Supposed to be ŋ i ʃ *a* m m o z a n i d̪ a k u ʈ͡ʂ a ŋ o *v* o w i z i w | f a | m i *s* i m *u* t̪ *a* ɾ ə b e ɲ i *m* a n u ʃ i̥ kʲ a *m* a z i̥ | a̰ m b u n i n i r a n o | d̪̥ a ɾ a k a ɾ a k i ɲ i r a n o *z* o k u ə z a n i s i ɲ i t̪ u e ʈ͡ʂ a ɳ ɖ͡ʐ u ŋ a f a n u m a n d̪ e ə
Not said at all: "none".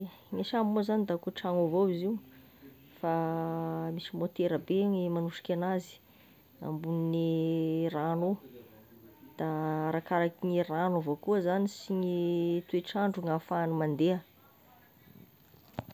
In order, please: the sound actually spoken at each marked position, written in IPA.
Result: a, v, s, o, e, m, n, v

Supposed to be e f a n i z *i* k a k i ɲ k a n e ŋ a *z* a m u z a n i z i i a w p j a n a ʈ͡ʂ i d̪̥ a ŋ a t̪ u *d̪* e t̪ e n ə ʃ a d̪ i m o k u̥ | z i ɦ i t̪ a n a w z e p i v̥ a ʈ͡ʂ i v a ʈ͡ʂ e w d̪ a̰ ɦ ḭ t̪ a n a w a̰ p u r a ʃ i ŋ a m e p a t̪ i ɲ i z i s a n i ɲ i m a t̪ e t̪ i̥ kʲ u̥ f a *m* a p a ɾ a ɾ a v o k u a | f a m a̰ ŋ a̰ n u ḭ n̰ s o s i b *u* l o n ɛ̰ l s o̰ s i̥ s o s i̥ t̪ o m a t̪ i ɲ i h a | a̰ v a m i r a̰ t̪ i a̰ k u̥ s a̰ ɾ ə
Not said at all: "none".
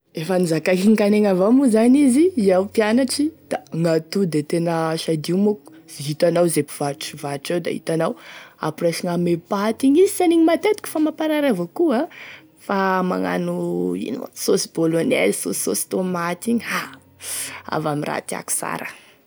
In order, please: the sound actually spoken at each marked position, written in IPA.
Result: a, v, d̪, m, o

